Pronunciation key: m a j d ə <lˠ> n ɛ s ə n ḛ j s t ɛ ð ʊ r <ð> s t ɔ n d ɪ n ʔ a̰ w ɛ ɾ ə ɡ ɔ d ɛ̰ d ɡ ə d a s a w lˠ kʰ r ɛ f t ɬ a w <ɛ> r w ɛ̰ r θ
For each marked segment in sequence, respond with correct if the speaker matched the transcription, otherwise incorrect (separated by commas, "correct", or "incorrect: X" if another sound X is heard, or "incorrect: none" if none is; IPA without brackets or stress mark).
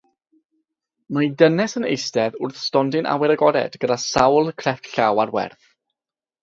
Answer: incorrect: none, incorrect: θ, incorrect: a